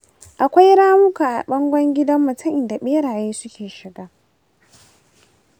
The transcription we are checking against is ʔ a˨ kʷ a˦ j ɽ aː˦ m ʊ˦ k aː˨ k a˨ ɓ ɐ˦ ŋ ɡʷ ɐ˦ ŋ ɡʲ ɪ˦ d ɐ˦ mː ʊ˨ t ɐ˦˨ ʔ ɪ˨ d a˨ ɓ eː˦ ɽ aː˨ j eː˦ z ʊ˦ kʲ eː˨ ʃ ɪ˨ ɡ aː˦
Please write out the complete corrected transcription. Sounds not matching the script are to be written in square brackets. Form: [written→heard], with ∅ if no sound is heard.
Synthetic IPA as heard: ʔ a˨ kʷ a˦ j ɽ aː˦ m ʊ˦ k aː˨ [k→ʔ] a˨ ɓ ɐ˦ ŋ ɡʷ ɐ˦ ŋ ɡʲ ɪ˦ d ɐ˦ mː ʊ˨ t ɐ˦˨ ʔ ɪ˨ d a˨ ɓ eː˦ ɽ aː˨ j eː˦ [z→s] ʊ˦ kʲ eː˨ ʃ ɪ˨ ɡ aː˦